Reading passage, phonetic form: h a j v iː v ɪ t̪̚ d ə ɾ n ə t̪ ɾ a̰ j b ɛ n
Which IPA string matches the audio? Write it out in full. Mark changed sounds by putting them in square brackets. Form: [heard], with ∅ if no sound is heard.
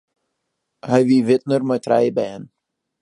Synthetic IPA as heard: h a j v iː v ɪ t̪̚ [n] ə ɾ [m] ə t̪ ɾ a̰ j b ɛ n